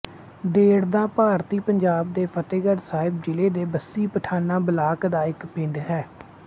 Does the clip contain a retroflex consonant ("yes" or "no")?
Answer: yes